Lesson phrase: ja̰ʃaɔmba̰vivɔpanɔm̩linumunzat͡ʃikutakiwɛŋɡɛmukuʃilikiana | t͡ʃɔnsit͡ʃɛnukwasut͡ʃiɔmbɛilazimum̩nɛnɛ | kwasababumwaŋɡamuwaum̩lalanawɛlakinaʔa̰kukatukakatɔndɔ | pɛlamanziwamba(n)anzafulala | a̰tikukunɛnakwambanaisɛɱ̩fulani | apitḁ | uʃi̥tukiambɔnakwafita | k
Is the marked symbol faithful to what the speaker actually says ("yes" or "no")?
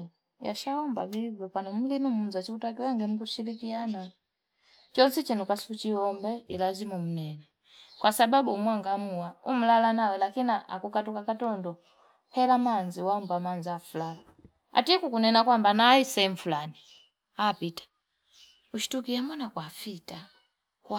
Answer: no